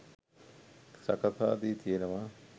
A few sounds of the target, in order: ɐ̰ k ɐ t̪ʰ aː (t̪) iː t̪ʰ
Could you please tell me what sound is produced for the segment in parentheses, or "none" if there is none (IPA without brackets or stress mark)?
d̪